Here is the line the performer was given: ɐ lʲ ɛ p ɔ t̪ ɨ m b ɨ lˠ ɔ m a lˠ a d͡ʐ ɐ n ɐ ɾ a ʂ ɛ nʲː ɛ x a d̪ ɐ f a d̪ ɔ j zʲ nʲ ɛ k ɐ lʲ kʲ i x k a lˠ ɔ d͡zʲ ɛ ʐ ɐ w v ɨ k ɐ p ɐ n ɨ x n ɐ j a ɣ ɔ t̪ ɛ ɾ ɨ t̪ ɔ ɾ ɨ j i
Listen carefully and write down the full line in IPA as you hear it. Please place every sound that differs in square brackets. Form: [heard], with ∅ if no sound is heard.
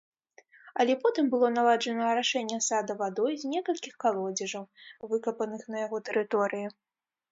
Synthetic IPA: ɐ lʲ ɛ p ɔ t̪ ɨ m b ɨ lˠ ɔ [n] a lˠ a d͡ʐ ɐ n ɐ ɾ a ʂ ɛ nʲː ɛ [s] a d̪ ɐ [v] a d̪ ɔ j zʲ nʲ ɛ k ɐ lʲ kʲ i x k a lˠ ɔ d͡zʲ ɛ ʐ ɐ w v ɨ k ɐ p ɐ n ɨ x n ɐ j a ɣ ɔ t̪ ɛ ɾ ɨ t̪ ɔ ɾ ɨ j i